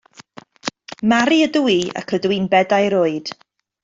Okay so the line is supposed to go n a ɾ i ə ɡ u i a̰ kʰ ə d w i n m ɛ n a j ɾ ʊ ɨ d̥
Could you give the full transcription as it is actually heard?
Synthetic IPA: m a ɾ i ə d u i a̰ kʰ ə d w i n b ɛ d a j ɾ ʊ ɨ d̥